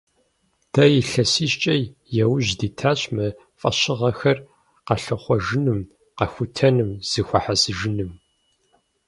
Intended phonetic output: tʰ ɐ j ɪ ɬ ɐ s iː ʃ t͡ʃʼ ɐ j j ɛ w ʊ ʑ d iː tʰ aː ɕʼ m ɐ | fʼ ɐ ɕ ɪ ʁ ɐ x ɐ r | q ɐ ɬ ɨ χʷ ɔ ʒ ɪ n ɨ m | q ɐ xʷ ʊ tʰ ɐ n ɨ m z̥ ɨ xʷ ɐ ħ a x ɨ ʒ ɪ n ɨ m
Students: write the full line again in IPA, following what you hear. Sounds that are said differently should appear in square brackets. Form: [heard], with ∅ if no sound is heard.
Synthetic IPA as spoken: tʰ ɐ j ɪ ɬ ɐ s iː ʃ t͡ʃʼ ɐ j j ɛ w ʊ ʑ d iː tʰ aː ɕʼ m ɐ | fʼ ɐ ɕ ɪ ʁ ɐ x ɐ r | q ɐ ɬ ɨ χʷ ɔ ʒ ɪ n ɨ m | q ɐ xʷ ʊ tʰ ɐ n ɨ m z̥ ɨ xʷ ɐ ħ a [s] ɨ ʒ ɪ n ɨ m